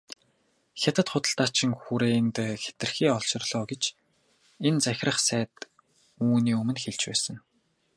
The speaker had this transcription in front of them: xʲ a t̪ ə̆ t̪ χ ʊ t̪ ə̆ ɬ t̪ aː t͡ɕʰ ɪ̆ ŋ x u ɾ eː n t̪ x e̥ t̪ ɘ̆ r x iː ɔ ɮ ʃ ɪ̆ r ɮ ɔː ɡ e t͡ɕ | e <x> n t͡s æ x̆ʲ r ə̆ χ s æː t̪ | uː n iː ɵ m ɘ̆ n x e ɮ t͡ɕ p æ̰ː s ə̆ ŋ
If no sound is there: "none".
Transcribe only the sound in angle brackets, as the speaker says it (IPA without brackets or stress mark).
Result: none